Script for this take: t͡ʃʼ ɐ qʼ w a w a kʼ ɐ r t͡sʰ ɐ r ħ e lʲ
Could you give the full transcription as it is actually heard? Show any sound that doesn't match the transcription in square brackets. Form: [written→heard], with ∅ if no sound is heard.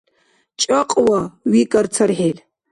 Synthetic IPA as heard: t͡ʃʼ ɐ qʼ w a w [a→i] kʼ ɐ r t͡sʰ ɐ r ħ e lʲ

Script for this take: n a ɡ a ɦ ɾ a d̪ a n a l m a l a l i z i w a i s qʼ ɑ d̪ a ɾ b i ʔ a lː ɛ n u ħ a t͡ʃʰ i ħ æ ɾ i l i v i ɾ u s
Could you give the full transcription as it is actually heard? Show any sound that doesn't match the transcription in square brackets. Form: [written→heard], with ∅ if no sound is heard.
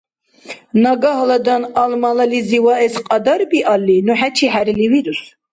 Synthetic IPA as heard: n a ɡ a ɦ [ɾ→l] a d̪ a n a l m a l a l i z i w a [i→ɛ] s qʼ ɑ d̪ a ɾ b i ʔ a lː [ɛ→i] n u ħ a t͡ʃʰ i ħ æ ɾ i l i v i ɾ u s

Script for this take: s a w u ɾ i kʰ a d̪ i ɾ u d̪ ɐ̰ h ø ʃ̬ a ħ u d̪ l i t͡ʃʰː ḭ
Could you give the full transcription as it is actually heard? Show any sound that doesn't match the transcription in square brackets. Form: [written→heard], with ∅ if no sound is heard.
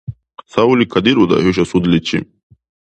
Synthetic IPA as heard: s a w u [ɾ→l] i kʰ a d̪ i ɾ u d̪ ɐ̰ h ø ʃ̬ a [ħ→s] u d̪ l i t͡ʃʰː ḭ

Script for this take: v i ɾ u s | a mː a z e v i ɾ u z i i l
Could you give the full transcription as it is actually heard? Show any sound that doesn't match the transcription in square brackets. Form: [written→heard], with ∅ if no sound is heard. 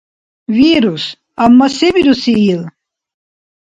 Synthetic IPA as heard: v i ɾ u s | a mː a [z→s] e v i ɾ u [z→s] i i l

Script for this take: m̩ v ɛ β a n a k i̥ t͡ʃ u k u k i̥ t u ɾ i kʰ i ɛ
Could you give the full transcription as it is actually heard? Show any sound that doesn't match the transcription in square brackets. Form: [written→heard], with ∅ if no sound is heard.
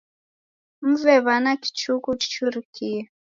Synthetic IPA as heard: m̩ v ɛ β a n a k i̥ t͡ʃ u k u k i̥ [t→t͡ʃ] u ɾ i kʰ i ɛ

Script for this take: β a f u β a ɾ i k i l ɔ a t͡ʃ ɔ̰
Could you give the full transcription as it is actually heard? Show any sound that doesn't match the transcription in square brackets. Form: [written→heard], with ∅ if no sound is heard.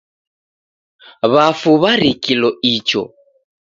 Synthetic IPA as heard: β a f u β a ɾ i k i l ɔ [a→i] t͡ʃ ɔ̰

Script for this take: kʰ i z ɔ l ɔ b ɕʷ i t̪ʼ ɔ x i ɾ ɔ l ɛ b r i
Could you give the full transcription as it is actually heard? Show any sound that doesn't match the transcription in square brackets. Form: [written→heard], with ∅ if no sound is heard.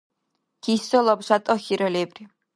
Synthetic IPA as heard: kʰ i [z→s] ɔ l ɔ b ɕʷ [i→a] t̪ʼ ɔ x i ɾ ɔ l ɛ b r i

